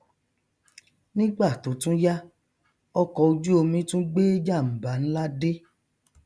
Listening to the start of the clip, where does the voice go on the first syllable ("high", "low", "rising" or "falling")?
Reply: high